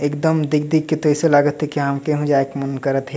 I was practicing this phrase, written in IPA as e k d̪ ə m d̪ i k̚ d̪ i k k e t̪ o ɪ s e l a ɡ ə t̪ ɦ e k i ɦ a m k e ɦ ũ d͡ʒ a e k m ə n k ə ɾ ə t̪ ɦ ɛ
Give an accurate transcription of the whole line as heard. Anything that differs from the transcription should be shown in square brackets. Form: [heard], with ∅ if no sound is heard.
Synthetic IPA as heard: e k d̪ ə m d̪ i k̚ d̪ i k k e t̪ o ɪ s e l a ɡ ə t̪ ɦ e k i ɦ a m k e ɦ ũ d͡ʒ a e k m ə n k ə ɾ ə t̪ ɦ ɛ